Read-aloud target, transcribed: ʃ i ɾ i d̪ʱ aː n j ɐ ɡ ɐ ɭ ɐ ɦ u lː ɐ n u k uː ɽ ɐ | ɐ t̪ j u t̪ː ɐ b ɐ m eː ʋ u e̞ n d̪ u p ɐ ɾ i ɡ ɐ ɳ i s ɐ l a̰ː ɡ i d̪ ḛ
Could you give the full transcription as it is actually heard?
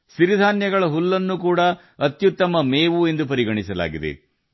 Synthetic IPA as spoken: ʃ i ɾ i d̪ʱ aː n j ɐ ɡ ɐ ɭ ɐ ɦ u lː ɐ nː u k uː ɽ ɐ | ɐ t̪ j u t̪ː ɐ m ɐ m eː ʋ u e̞ n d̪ u p ɐ ɾ i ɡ ɐ ɳ i s ɐ l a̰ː ɡ i d̪ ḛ